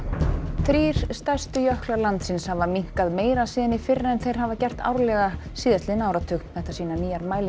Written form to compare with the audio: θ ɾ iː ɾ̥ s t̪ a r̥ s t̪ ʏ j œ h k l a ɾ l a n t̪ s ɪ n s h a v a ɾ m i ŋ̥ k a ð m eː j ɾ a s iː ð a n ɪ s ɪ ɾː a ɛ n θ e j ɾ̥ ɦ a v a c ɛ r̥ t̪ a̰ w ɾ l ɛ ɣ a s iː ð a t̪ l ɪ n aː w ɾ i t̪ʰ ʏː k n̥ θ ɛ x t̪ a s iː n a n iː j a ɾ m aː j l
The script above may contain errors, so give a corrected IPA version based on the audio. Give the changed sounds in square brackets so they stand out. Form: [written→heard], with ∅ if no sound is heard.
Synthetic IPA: θ ɾ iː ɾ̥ s t̪ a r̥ s t̪ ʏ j œ h k l a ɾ l a n t̪ s ɪ n s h a v a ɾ m i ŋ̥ k a ð m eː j ɾ a s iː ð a n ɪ [s→f] ɪ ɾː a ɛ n θ e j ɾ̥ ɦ a v a c ɛ r̥ t̪ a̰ w ɾ l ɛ ɣ a s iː ð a t̪ l ɪ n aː w ɾ [i→a] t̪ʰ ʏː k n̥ θ ɛ [x→h] t̪ a s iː n a n iː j a ɾ m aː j l